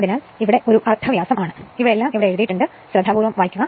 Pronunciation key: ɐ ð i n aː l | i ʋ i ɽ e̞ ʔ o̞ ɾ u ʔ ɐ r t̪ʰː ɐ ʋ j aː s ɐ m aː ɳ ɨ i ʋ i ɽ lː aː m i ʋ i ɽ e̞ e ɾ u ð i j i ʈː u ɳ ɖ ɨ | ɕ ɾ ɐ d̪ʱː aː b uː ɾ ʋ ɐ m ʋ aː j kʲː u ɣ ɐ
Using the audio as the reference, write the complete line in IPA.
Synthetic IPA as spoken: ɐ ð i n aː l | i ʋ i ɽ e̞ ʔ o̞ ɾ u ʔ ɐ r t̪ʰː ɐ ʋ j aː s ɐ m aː ɳ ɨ i ʋ i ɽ lː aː m i ʋ i ɽ e̞ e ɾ u ð i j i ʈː u ɳ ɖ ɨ | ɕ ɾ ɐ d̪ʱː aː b uː ɾ ʋ ɐ m ʋ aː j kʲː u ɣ ɐ